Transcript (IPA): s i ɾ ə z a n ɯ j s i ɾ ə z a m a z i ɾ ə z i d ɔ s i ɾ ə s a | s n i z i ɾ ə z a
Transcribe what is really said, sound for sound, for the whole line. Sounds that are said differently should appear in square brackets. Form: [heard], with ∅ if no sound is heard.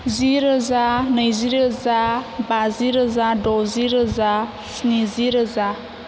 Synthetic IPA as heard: [z] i ɾ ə z a n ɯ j [z] i ɾ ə z a [b] a z i ɾ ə z [a] d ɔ [z] i ɾ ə [z] a | s n i z i ɾ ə z a